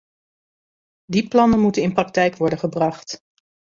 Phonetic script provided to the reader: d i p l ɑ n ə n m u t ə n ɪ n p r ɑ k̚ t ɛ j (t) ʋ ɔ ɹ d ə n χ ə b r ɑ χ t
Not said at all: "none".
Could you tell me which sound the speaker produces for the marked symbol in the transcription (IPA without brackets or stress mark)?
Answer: k